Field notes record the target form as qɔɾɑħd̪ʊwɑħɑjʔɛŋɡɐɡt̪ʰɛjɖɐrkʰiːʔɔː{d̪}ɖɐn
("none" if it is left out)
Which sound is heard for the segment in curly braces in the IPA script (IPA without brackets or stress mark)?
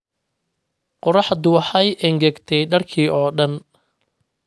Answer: none